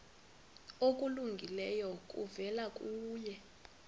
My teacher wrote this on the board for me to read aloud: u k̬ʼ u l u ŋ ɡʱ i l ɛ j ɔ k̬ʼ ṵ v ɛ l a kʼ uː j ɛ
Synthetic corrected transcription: o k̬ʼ u l u ŋ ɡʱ i l ɛ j ɔ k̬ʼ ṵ v ɛ l a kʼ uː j ɛ